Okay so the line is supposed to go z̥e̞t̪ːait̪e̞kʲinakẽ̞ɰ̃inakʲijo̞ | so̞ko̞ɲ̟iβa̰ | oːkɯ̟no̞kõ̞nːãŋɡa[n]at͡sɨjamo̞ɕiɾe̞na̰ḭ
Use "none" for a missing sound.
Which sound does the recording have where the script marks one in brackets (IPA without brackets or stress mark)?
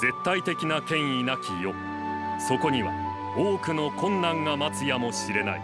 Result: m